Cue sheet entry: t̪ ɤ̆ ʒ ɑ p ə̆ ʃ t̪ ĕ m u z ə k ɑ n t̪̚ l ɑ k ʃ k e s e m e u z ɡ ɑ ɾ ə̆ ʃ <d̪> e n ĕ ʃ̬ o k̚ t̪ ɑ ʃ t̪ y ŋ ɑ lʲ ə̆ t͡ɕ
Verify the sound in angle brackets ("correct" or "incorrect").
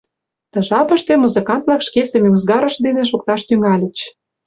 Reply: correct